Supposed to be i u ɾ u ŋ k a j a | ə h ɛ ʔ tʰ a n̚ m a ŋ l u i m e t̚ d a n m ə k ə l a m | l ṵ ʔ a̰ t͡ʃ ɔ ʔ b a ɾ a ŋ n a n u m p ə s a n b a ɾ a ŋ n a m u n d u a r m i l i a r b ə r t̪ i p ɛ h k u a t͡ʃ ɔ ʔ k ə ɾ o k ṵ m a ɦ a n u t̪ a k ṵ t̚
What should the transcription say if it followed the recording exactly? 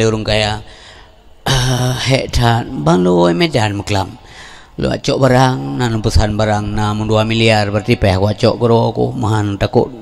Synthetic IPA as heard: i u ɾ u ŋ k a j a | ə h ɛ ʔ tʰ a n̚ b a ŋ l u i m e d a n m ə k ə l a m | l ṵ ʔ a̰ t͡ʃ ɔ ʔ b a ɾ a ŋ n a n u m p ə s a n b a ɾ a ŋ n a m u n d u a m i l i a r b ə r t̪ i p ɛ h k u a t͡ʃ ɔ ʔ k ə ɾ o k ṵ m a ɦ a n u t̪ a k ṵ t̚

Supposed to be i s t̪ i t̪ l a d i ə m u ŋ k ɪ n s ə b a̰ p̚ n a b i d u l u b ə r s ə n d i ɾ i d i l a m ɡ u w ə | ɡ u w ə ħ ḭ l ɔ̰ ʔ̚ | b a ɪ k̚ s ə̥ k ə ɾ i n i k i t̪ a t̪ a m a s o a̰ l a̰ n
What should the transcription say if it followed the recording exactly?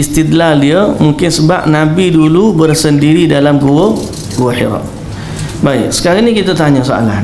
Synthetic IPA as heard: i s t̪ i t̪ l a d i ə m u ŋ k ɪ n s ə b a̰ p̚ n a b i d u l u b ə r s ə n d i ɾ i d a l a m ɡ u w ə | ɡ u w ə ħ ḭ ɾ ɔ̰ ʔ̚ | b a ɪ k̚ s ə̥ k a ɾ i n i k i t̪ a t̪ a ɲ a s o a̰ l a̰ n

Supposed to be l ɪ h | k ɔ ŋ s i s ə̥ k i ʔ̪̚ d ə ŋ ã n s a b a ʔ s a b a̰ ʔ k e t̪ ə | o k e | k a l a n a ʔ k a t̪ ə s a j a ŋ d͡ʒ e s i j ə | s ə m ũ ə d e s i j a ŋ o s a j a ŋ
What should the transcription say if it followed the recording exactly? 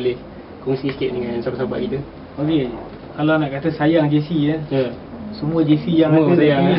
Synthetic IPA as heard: l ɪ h | k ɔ ŋ s i s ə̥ k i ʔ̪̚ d ə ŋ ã n s a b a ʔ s a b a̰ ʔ k i t̪ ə | o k e | k a l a n a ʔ k a t̪ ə s a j a ŋ d͡ʒ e s i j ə | s ə m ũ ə d͡ʒ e s i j a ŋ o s a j a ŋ

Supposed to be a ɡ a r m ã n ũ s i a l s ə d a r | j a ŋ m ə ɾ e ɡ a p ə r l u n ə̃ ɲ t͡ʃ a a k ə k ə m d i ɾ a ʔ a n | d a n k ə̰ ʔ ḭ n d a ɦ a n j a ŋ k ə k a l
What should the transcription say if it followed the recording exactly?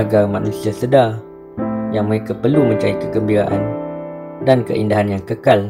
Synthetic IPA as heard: a ɡ a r m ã n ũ s i a s ə d a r | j a ŋ m ə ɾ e k a p ə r l u m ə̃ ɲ t͡ʃ a i k ə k ə m b i ɾ a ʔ a n | d a n k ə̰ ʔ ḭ n d a ɦ a n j a ŋ k ə k a l

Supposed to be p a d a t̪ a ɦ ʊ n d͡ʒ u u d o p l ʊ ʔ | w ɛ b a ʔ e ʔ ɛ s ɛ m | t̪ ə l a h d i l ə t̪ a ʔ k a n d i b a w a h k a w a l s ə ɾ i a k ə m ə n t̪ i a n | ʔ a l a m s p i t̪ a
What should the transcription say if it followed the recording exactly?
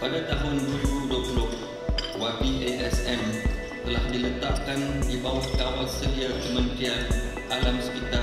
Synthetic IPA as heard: p a d a t̪ a ɦ ʊ n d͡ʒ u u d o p l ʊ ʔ | w a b i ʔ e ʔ ɛ s ɛ m | t̪ ə l a h d i l ə t̪ a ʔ k a n d i b a w a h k a w a l s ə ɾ i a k ə m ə n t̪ i a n | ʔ a l a m s p i t̪ a

